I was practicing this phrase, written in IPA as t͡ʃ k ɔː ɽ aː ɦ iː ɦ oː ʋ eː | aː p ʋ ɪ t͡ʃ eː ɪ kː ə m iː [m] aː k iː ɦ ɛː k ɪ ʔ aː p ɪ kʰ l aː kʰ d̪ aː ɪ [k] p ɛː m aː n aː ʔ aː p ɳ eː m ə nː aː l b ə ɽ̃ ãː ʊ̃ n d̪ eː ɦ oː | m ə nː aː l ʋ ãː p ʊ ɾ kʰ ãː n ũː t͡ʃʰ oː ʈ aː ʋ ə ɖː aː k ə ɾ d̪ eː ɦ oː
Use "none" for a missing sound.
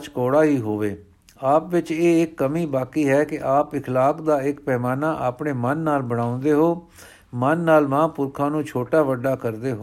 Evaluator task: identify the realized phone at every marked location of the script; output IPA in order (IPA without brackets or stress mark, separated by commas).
b, k